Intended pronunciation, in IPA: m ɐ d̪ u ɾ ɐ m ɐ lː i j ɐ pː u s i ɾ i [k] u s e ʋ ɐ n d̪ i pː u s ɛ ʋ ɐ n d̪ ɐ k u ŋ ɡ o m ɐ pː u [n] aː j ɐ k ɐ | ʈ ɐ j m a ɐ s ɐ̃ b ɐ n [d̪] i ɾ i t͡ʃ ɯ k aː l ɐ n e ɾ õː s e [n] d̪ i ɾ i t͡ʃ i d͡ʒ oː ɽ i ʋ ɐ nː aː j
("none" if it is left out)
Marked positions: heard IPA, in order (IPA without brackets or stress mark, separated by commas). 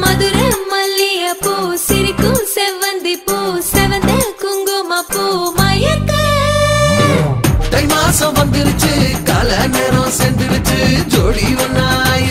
k, m, d̪, n